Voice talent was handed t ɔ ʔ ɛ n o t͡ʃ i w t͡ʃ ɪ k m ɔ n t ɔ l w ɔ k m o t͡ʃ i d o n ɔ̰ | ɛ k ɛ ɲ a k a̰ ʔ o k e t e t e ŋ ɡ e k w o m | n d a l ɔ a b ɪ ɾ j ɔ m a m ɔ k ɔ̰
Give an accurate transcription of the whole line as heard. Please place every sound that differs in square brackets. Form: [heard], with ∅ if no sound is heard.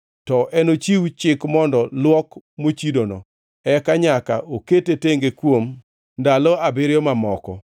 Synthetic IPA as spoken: t ɔ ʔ ɛ n o t͡ʃ i w t͡ʃ ɪ k m ɔ n [d] ɔ l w ɔ k m o t͡ʃ i d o n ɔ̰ | ɛ k [a] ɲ a k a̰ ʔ o k e t e t e ŋ ɡ e k w o m | n d a l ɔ a b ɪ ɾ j ɔ m a m ɔ k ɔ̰